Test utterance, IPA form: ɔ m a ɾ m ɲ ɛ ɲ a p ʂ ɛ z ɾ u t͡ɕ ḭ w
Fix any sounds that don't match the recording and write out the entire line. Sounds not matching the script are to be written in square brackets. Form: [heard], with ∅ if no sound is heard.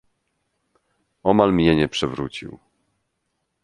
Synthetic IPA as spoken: ɔ m a [l] m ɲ ɛ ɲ [ɛ] p ʂ ɛ [v] ɾ u t͡ɕ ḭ w